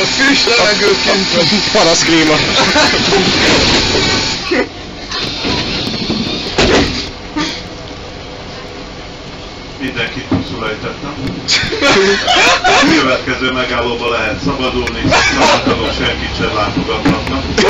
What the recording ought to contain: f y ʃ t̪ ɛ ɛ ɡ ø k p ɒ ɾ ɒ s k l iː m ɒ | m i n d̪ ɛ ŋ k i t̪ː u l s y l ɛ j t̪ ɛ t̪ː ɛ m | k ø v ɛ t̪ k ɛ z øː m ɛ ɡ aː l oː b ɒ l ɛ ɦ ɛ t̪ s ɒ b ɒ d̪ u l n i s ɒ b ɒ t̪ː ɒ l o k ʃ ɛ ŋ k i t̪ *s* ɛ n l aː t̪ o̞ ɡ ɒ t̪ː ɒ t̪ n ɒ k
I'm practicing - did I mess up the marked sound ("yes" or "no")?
yes